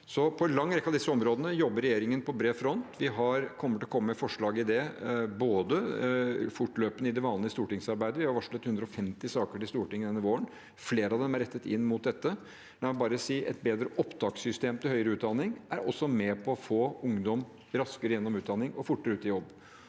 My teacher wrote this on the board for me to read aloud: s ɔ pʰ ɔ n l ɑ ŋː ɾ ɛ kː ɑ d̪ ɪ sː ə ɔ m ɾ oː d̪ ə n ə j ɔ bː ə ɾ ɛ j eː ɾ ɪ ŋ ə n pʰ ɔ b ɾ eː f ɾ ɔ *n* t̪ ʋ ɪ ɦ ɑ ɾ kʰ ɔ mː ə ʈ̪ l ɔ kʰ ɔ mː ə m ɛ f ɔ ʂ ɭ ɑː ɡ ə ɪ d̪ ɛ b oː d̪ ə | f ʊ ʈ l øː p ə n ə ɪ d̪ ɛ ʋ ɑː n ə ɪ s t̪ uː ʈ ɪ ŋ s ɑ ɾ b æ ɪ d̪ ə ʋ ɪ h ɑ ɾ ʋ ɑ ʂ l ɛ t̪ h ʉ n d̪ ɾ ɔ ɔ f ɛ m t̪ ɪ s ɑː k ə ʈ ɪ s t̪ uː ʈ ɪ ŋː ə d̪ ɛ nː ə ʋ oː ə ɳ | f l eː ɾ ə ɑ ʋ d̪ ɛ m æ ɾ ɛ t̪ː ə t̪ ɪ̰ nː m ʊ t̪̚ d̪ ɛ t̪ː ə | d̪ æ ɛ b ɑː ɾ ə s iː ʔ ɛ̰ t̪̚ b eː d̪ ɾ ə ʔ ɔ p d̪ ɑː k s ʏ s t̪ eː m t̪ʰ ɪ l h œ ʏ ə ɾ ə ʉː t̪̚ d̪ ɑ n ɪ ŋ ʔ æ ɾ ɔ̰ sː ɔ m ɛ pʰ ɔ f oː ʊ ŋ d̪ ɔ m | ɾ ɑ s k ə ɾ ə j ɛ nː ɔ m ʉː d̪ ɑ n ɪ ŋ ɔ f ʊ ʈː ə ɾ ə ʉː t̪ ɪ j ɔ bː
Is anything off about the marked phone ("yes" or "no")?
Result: no